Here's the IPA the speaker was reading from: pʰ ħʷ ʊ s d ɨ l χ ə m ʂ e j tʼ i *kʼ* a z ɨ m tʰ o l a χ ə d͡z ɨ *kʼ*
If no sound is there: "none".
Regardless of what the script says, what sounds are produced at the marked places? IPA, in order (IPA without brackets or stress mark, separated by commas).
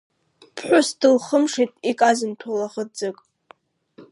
kʼ, kʼ